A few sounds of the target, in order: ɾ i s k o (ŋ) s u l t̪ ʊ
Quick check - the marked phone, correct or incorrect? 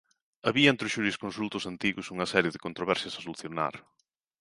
incorrect